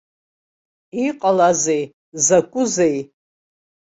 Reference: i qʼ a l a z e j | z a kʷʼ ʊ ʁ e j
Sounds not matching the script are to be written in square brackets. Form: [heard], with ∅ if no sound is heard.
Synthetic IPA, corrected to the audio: i qʼ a l a z e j | z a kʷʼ ʊ [z] e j